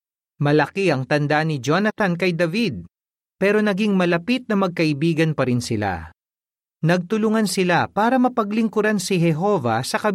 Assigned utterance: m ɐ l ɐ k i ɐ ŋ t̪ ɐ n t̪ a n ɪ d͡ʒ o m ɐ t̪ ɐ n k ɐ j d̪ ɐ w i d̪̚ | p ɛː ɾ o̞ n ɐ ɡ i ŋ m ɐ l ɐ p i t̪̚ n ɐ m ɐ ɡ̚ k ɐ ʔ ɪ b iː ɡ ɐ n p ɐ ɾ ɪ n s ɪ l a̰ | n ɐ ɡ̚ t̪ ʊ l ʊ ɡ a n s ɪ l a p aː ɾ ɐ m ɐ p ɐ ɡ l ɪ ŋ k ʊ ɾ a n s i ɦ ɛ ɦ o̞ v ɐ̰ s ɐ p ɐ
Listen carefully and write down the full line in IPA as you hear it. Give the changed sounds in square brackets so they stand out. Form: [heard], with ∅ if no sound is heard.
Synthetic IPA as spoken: m ɐ l ɐ k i ɐ ŋ t̪ ɐ n [d̪] a n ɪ d͡ʒ o [n] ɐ t̪ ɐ n k ɐ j d̪ ɐ [v] i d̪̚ | p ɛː ɾ o̞ n ɐ ɡ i ŋ m ɐ l ɐ p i t̪̚ n ɐ m ɐ ɡ̚ k ɐ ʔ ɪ b iː ɡ ɐ n p ɐ ɾ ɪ n s ɪ l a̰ | n ɐ ɡ̚ t̪ ʊ l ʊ [ŋ] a n s ɪ l a p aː ɾ ɐ m ɐ p ɐ ɡ l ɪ ŋ k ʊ ɾ a n s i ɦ ɛ ɦ o̞ v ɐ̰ s ɐ [k] ɐ